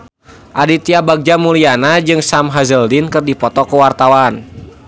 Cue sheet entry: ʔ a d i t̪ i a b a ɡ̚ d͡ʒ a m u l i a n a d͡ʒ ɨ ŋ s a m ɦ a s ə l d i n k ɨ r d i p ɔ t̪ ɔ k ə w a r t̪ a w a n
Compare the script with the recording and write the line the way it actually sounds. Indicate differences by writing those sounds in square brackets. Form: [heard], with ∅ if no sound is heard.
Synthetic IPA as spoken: ʔ a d i t̪ i a b a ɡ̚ d͡ʒ a m u l i a n a d͡ʒ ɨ ŋ s a m ɦ a [z] ə l d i n k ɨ r d i p ɔ t̪ ɔ k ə w a r t̪ a w a n

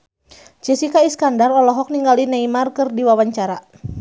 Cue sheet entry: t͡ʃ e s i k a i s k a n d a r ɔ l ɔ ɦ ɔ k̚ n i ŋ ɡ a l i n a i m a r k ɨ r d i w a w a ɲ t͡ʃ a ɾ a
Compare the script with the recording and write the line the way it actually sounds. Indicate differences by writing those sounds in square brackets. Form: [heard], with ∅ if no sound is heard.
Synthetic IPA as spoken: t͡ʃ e s i k a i s k a n d a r ɔ l ɔ ɦ ɔ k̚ n i ŋ ɡ a l i n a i m a r k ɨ r d i w a w a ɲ t͡ʃ a ɾ a

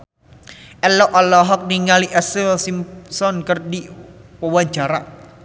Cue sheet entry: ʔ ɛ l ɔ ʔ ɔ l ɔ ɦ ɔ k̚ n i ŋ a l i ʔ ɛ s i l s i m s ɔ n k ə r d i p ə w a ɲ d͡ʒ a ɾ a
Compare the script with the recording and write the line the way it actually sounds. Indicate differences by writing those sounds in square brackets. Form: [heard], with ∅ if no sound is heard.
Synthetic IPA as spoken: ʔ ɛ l ɔ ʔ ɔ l ɔ ɦ ɔ k̚ n i ŋ a l i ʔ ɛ s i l s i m s ɔ n k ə r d i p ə w a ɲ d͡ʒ a ɾ a

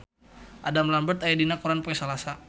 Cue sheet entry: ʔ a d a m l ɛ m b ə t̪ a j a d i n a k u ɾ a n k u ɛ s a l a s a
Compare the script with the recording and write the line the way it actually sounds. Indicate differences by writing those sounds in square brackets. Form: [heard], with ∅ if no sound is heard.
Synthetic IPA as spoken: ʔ a d a m l [a] m b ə t̪ a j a d i n a k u ɾ a n [p] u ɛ s a l a s a

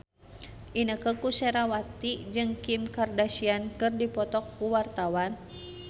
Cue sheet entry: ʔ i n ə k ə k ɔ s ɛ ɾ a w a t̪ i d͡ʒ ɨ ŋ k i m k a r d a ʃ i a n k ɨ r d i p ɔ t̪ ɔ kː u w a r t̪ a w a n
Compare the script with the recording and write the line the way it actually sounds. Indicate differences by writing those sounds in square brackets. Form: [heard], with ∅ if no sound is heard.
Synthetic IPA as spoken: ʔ i n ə k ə k [u] s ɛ ɾ a w a t̪ i d͡ʒ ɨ ŋ k i m k a r d a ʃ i a n k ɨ r d i p ɔ t̪ ɔ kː u w a r t̪ a w a n

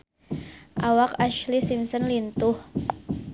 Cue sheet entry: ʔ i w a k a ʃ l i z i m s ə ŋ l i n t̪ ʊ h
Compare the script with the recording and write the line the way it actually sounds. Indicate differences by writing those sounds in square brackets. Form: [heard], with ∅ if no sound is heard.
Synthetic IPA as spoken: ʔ [a] w a k a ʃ l i [s] i m s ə [n] l i n t̪ ʊ h

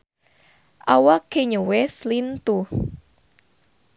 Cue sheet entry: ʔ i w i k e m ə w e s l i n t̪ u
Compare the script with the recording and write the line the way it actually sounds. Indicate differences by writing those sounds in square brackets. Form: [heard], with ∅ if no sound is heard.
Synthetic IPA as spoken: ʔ [a] w [a] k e [ɲ] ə w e s l i n t̪ u

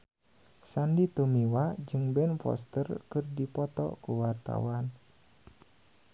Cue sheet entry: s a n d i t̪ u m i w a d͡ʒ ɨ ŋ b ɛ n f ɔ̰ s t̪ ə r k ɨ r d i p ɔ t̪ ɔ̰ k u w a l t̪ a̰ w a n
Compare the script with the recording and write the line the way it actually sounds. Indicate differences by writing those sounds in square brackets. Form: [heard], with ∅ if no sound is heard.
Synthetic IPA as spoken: s a n d i t̪ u m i w a d͡ʒ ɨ ŋ b ɛ n f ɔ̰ s t̪ ə r k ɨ r d i p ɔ t̪ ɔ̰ k u w a [r] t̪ a̰ w a n

